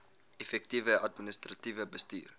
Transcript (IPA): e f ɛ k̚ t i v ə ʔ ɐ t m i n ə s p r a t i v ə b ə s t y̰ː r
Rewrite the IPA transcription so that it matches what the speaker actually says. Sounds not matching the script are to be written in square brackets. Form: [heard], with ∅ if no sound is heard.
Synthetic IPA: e f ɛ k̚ t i v ə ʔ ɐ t m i n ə s [t] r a t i v ə b ə s t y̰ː r